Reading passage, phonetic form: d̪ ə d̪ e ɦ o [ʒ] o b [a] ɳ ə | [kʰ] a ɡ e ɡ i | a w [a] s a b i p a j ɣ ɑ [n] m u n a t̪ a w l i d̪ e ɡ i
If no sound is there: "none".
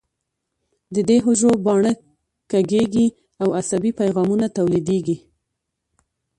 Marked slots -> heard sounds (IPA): ʒ, ɑ, k, a, none

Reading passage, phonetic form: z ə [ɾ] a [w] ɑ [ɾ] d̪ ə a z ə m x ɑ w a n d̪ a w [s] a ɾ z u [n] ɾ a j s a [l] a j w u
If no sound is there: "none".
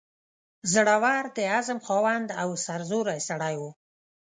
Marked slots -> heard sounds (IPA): ɽ, w, ɾ, s, none, ɽ

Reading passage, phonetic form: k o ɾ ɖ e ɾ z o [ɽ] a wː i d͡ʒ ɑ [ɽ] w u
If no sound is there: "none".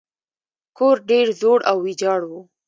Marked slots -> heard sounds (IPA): ɽ, ɽ

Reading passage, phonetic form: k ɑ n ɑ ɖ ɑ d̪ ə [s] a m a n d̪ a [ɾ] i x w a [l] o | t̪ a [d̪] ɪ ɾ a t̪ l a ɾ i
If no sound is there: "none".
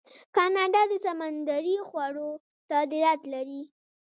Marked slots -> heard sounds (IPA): s, ɾ, ɽ, d̪

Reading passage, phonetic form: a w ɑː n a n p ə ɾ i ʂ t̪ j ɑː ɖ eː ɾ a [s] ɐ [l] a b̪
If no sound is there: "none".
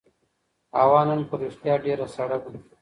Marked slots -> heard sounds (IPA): s, ɽ

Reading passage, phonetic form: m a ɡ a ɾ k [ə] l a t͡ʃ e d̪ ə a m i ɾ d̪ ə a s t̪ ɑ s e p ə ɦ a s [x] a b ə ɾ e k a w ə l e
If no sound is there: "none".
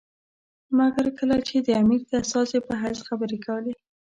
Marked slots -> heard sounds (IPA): ə, x

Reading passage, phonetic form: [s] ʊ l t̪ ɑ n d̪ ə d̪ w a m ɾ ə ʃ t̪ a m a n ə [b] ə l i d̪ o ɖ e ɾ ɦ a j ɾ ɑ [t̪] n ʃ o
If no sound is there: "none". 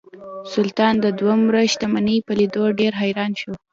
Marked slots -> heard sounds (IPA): s, p, none

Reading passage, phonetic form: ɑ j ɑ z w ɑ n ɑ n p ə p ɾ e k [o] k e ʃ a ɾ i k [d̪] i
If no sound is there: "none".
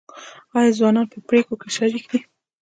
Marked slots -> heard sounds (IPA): o, d̪

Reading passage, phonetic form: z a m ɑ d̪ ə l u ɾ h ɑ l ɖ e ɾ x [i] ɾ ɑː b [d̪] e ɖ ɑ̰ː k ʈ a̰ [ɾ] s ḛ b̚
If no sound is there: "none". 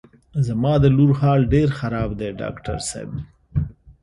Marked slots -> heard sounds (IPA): a, d̪, ɾ

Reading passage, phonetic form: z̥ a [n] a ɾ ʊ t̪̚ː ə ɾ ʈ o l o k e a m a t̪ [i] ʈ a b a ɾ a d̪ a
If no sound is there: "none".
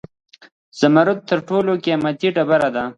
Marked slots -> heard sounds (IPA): m, i

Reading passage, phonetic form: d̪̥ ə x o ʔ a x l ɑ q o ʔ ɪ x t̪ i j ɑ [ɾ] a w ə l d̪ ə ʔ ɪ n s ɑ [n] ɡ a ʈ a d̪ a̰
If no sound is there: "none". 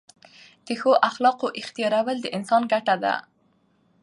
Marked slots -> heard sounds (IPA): ɾ, n

